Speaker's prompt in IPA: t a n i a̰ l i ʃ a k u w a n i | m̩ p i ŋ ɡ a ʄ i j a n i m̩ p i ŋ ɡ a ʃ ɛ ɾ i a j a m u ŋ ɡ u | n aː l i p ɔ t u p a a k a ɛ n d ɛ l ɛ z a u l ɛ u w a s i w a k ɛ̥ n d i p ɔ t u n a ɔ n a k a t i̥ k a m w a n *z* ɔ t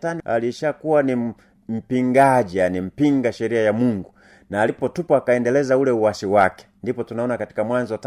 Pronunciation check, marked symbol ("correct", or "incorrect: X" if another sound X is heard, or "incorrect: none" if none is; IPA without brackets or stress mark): correct